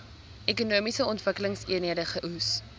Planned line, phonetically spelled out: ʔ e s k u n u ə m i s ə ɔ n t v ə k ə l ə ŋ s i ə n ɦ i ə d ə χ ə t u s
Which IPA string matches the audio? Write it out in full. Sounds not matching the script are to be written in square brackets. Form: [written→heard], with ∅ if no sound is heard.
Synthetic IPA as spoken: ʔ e [s→∅] k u n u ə m i s ə ɔ n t v ə k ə l ə ŋ s i ə n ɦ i ə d ə χ ə [t→ʔ] u s